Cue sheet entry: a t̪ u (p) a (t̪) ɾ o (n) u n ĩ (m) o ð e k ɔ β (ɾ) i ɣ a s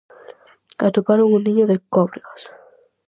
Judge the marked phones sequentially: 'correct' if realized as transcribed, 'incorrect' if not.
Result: correct, incorrect: none, incorrect: ŋ, incorrect: ɲ, correct

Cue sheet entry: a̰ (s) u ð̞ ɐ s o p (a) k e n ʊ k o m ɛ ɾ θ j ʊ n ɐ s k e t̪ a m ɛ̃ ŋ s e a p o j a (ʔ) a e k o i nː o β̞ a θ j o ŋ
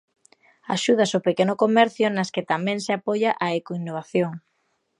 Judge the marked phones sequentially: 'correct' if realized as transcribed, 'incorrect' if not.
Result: incorrect: ʃ, incorrect: e, correct

